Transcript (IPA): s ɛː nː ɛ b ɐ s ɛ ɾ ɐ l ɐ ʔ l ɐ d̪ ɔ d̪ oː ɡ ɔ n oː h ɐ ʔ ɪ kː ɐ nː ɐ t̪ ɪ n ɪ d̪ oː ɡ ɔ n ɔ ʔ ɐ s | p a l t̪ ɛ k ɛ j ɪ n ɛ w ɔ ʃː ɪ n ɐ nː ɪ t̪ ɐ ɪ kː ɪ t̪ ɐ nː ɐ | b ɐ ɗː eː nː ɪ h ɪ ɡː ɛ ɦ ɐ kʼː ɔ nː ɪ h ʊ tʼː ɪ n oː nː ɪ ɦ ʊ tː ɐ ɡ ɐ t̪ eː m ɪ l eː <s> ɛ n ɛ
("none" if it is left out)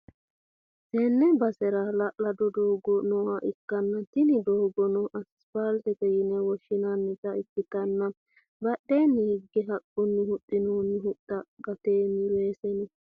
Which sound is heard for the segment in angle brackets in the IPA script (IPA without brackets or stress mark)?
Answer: s